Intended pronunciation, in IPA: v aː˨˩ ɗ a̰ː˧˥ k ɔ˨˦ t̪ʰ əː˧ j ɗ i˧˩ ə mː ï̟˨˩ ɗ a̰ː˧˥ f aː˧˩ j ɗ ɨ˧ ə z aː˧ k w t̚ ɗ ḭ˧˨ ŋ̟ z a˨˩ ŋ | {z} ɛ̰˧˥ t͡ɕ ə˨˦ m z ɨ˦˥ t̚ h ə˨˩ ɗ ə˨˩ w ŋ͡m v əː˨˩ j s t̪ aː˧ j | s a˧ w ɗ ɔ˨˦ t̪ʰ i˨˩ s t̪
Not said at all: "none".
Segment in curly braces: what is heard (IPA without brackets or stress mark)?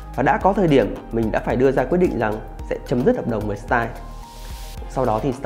s